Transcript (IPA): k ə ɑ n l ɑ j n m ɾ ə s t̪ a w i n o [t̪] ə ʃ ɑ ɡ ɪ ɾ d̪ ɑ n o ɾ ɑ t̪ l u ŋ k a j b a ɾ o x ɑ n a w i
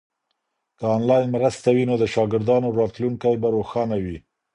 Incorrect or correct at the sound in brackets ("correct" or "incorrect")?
incorrect